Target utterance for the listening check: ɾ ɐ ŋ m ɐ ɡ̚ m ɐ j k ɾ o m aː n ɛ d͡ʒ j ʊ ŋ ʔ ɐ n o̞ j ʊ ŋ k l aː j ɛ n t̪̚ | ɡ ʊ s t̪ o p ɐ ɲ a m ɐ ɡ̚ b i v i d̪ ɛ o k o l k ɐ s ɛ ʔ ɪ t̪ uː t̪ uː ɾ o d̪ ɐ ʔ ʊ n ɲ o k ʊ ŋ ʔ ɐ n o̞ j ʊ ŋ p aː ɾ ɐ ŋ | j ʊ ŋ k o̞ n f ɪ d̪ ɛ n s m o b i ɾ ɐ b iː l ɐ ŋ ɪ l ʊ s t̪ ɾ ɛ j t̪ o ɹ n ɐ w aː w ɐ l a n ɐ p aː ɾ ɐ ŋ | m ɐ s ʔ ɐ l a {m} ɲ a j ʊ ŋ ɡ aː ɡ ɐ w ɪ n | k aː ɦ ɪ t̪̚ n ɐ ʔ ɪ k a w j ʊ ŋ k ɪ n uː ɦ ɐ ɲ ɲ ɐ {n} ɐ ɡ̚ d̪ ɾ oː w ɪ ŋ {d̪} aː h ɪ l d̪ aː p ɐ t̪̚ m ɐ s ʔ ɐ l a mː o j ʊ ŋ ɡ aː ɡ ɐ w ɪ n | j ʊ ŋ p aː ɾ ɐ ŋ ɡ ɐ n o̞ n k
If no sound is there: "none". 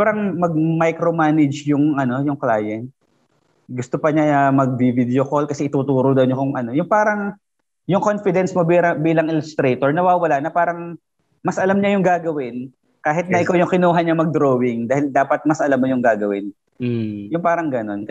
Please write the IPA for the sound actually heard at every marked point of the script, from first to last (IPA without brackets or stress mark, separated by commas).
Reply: m, m, d̪